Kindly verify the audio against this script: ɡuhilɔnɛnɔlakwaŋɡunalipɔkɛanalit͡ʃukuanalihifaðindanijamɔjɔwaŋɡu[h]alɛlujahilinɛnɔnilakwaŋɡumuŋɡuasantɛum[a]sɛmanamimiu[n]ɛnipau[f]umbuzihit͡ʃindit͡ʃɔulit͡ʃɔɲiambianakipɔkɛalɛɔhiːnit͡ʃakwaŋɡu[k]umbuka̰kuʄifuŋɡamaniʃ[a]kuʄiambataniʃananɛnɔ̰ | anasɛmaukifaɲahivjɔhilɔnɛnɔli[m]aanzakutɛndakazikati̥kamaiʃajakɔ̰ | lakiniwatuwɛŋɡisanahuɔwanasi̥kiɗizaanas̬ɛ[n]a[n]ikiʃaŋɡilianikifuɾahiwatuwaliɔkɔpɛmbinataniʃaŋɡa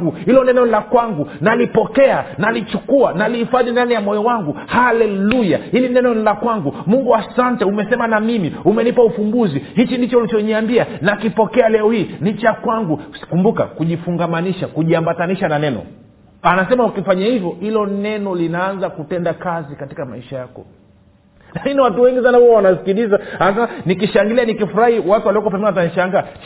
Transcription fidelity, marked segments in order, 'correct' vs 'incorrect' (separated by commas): correct, incorrect, incorrect, correct, correct, correct, incorrect, incorrect, correct